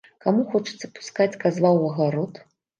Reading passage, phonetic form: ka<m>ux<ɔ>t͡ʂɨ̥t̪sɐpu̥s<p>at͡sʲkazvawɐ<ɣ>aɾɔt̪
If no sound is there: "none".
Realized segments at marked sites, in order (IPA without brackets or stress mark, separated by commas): m, ɔ, k, ɣ